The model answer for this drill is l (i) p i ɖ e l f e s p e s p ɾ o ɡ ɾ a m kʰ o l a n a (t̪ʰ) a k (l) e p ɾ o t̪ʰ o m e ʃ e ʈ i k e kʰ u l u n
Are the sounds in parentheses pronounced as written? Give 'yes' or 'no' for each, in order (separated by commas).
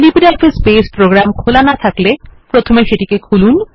yes, yes, yes